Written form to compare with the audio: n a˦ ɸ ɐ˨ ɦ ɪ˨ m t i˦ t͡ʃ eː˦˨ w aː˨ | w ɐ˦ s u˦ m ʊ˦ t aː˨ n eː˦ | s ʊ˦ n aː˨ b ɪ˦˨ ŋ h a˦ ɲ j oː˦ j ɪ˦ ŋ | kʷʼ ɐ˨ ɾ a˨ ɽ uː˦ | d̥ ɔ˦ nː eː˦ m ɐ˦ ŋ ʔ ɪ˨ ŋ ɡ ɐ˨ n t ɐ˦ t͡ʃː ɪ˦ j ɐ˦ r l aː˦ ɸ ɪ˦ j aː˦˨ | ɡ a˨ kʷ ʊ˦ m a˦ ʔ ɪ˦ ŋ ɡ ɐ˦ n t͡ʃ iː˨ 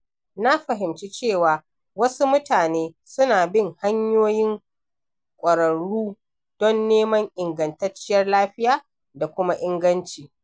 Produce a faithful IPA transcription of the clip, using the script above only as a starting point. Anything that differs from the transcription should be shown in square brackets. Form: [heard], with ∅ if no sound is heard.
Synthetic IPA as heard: n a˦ ɸ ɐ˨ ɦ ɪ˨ m [t͡ʃ] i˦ t͡ʃ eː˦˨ w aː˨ | w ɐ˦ s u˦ m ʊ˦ t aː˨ n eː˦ | s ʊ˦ n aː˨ b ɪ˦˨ ŋ h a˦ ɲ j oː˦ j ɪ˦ ŋ | kʷʼ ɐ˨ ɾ [ɐ˨] ɽ uː˦ | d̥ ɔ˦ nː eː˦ m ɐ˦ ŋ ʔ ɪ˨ ŋ ɡ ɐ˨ n t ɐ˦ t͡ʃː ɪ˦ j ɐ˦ r l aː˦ ɸ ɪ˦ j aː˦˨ | [d] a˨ kʷ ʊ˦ m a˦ ʔ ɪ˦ ŋ ɡ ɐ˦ n t͡ʃ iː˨